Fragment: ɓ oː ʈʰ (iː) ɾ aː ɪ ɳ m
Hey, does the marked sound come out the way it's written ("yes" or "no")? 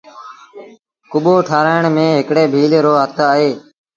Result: no